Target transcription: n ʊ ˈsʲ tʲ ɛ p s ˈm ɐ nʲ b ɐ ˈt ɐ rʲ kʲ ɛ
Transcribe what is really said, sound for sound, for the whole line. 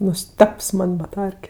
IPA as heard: n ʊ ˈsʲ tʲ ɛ p s ˈm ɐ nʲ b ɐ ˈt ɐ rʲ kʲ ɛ